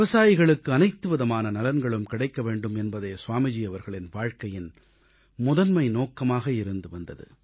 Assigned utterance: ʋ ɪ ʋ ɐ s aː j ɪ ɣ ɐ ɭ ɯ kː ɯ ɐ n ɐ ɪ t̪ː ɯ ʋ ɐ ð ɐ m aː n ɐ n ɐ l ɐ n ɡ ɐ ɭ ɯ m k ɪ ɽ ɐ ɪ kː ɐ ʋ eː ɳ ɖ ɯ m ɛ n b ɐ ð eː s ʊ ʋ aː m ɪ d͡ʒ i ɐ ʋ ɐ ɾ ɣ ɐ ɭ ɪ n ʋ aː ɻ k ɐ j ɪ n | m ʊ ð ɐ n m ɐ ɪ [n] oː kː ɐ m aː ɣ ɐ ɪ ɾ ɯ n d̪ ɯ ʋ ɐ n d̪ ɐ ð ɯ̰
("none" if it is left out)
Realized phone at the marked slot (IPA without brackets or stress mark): n